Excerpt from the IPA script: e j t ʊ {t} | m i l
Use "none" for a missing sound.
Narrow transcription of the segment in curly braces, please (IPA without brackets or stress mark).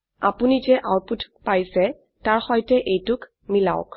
k